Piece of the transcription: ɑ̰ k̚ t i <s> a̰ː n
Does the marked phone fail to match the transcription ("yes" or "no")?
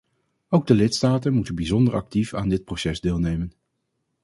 yes